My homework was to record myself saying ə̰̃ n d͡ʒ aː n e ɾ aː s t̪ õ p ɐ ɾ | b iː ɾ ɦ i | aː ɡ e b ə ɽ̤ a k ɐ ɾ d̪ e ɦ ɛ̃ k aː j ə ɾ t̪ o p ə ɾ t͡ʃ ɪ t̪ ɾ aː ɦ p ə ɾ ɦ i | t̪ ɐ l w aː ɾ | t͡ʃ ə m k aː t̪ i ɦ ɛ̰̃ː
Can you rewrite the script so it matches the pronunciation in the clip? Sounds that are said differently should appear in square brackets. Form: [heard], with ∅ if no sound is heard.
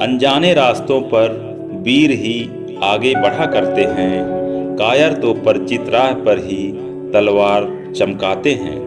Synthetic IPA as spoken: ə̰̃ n d͡ʒ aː n e ɾ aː s t̪ õ p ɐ ɾ | b iː ɾ ɦ i | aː ɡ e b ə ɽ̤ a k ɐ ɾ [t̪] e ɦ ɛ̃ k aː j ə ɾ t̪ o p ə ɾ t͡ʃ ɪ t̪ ɾ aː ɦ p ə ɾ ɦ i | t̪ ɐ l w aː ɾ | t͡ʃ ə m k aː t̪ [e] ɦ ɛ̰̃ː